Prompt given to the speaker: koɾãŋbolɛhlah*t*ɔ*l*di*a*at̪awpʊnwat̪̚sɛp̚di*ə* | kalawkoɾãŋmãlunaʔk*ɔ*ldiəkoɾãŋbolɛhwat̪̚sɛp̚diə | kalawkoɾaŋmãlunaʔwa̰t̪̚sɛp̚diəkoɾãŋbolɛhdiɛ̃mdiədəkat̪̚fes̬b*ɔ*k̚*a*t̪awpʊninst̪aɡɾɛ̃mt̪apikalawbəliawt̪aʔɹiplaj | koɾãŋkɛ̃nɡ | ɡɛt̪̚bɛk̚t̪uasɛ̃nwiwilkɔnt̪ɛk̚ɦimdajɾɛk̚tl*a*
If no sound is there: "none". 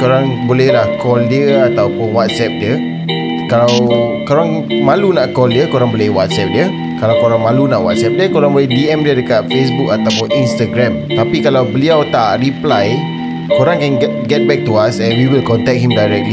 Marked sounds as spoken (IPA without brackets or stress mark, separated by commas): k, l, ə, ə, ɔ, u, a, i